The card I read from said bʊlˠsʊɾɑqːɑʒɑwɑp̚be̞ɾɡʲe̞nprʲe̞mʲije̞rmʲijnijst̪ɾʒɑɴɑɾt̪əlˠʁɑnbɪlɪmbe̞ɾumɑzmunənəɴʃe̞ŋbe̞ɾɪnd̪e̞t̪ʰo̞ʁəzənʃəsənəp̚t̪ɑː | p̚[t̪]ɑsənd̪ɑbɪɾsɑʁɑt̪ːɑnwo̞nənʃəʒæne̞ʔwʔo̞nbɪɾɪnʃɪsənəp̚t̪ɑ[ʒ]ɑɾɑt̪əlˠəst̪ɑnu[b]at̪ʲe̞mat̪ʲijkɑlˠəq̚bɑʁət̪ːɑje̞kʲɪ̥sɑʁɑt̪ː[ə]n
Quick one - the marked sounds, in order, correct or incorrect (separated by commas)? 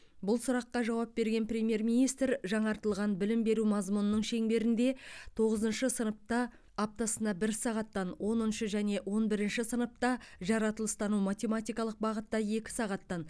correct, correct, incorrect, incorrect